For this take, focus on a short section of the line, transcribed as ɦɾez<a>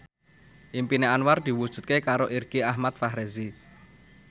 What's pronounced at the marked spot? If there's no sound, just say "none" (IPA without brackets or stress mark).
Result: i